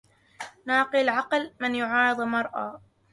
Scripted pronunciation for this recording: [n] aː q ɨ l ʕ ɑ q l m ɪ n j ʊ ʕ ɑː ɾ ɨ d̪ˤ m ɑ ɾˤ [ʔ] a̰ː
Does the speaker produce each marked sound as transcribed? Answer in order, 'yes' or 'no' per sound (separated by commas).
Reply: yes, yes